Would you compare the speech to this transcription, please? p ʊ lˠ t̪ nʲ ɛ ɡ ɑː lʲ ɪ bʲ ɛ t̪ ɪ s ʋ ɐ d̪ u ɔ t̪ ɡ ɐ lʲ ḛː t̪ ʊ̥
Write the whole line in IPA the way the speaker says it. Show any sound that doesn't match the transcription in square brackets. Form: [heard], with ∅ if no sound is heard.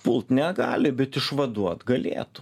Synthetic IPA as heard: p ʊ lˠ t̪ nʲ ɛ ɡ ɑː lʲ ɪ bʲ ɛ t̪ ɪ [ʃ] ʋ ɐ d̪ u ɔ t̪ ɡ ɐ lʲ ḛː t̪ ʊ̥